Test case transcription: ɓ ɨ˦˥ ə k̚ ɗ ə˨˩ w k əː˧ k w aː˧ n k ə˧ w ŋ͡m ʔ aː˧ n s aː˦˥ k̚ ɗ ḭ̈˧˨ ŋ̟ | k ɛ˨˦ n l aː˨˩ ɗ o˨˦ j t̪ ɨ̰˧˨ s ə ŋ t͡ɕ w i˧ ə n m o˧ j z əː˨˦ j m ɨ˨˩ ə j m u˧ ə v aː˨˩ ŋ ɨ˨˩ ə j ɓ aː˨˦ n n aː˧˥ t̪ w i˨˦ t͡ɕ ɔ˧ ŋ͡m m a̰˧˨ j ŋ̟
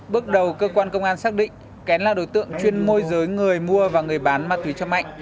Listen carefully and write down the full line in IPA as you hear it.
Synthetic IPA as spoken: ɓ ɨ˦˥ ə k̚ ɗ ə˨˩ w k əː˧ k w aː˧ n k ə˧ w ŋ͡m ʔ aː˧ n s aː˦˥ k̚ ɗ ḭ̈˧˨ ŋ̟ | k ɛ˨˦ n l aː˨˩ ɗ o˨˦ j t̪ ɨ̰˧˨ ə ŋ t͡ɕ w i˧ ə n m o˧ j z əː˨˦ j ŋ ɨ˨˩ ə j m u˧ ə v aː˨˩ ŋ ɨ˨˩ ə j ɓ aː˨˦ n m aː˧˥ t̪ w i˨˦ t͡ɕ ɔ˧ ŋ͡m m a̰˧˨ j ŋ̟

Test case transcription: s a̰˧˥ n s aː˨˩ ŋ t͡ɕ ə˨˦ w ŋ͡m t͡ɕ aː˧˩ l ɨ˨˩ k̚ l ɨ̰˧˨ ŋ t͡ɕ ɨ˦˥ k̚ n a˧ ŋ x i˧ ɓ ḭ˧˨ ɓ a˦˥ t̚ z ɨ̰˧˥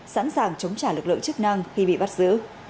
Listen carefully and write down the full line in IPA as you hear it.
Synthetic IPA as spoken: s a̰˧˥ n s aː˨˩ ŋ t͡ɕ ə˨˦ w ŋ͡m t͡ɕ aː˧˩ l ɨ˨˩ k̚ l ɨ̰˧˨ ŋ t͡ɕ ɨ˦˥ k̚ n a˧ ŋ x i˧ ɓ ḭ˧˨ ɓ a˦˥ t̚ z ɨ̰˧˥

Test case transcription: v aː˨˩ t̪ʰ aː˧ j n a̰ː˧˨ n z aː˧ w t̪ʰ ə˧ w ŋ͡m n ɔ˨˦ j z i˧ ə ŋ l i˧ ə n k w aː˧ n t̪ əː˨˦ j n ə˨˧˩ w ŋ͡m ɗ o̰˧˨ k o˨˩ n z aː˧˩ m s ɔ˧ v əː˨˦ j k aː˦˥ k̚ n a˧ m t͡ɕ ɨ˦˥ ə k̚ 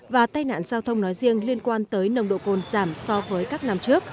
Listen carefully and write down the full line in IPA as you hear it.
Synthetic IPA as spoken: v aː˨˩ t̪ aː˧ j n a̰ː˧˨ n z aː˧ w t̪ʰ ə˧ w ŋ͡m n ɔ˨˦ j z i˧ ə ŋ l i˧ ə n k w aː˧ n t̪ əː˨˦ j n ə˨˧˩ w ŋ͡m ɗ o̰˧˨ k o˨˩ n z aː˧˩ m s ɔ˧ v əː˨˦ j k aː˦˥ k̚ n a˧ m t͡ɕ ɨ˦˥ ə k̚

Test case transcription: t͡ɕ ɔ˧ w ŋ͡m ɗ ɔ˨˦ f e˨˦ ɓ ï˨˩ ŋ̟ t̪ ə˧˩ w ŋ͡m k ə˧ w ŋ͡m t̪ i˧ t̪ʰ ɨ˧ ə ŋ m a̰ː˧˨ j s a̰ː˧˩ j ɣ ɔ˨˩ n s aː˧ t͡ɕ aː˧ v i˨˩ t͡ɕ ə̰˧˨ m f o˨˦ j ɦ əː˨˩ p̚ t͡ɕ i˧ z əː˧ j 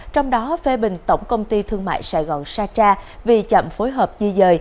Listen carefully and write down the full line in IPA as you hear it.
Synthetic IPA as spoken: t͡ɕ ɔ˧ w ŋ͡m ɗ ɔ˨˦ f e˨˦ ɓ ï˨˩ ŋ̟ t̪ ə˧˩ w ŋ͡m k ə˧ w ŋ͡m t̪ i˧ t̪ʰ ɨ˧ ə ŋ m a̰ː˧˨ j s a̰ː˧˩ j ɣ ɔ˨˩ n s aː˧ t͡ɕ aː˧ v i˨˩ t͡ɕ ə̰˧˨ m f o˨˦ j ɦ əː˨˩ p̚ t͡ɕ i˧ z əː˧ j

